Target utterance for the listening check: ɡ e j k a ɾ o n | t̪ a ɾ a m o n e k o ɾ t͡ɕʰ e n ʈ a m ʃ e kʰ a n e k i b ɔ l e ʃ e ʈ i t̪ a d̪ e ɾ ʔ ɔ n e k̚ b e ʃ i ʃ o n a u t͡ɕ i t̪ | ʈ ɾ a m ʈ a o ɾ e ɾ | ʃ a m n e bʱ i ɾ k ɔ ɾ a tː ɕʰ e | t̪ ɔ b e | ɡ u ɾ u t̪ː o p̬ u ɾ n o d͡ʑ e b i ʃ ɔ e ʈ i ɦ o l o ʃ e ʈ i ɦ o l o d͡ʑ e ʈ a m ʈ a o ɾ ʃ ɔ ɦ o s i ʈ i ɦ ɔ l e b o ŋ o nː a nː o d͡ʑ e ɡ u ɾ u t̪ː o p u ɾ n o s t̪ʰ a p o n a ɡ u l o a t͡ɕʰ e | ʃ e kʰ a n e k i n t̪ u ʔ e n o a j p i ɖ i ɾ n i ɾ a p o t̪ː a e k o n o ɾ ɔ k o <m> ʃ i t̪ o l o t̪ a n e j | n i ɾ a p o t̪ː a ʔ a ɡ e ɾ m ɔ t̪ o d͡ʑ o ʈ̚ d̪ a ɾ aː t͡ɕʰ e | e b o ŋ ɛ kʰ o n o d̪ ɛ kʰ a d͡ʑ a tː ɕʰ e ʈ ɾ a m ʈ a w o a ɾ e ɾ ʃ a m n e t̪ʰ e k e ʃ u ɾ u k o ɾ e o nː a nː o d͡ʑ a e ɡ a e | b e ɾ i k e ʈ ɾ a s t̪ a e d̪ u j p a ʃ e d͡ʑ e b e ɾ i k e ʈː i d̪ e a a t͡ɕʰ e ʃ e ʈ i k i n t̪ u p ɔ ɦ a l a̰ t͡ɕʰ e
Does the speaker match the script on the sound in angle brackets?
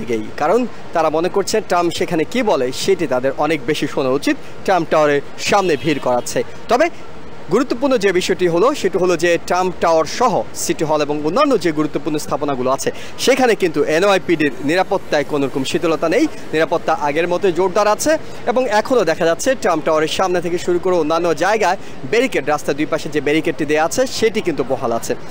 yes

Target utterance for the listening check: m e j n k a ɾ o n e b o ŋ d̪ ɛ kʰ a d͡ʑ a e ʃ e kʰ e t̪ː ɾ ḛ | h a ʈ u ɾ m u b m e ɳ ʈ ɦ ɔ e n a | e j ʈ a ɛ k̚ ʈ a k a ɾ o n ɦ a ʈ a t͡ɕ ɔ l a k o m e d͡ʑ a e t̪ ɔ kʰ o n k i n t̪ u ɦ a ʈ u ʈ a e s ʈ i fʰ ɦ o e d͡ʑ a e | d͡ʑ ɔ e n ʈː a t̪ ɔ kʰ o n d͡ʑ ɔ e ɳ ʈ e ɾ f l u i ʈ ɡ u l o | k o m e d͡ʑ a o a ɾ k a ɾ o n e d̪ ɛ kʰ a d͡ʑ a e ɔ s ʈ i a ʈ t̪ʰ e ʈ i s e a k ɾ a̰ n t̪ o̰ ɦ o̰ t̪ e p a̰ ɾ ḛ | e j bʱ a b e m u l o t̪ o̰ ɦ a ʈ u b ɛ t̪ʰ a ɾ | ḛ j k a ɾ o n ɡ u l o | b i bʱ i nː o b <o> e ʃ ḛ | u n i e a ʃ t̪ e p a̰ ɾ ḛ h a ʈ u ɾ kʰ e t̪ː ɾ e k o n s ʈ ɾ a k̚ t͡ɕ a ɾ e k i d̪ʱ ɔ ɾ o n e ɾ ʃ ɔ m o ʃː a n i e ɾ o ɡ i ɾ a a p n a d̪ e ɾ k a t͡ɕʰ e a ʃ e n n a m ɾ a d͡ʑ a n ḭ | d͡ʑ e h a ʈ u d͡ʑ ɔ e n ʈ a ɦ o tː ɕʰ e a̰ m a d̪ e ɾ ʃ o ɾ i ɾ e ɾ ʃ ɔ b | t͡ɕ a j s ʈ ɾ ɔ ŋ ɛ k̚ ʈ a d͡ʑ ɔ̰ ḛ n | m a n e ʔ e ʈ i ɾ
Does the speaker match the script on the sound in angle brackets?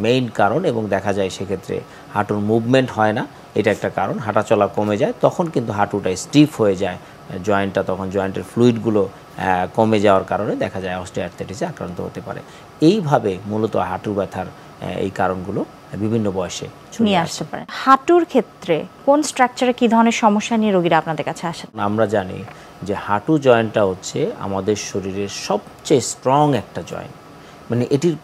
no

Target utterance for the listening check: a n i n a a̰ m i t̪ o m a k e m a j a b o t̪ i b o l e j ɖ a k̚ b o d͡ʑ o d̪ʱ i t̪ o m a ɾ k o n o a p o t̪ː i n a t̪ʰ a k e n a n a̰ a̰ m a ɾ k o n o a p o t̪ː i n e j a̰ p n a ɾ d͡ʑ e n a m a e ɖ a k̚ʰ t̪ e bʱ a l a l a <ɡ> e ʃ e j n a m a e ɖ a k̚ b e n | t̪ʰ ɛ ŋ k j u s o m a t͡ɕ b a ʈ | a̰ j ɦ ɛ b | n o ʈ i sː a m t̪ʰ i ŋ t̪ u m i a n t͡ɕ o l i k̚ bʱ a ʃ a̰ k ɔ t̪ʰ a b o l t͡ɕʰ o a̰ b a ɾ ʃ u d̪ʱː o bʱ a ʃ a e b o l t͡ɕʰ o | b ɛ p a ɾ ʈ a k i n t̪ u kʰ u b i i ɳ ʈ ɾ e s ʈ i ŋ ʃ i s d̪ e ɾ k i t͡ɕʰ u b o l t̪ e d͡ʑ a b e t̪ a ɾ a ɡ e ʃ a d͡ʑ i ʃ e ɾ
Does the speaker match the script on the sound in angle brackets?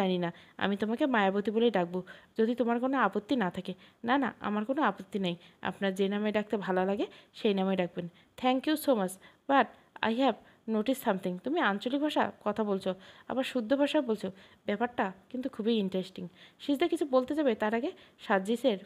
yes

